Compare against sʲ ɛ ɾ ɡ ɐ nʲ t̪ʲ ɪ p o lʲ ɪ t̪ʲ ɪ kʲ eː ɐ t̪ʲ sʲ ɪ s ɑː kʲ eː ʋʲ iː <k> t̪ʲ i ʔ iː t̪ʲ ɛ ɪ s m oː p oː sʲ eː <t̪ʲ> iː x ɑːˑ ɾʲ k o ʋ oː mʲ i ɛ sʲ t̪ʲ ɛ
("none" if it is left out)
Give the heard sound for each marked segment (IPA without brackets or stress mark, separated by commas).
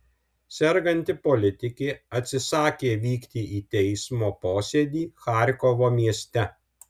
k, d̪ʲ